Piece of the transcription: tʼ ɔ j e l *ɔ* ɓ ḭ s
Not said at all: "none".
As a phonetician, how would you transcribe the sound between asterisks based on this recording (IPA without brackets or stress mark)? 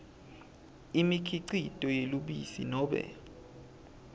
u